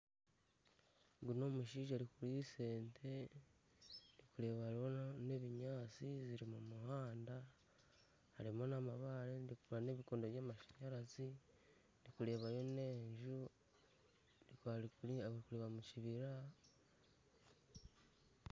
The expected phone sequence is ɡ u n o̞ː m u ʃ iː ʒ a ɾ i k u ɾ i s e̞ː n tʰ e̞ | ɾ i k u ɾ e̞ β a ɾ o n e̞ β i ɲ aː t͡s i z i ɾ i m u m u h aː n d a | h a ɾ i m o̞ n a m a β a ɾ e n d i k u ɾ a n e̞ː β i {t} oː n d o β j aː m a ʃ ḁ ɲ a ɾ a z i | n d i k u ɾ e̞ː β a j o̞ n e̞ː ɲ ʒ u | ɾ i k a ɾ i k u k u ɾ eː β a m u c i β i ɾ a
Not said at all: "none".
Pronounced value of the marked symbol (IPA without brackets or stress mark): k